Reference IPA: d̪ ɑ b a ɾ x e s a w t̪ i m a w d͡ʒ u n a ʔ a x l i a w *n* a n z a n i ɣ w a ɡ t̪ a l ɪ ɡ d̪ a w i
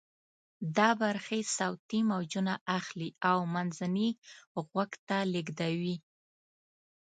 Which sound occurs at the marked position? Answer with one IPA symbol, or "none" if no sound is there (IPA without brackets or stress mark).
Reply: m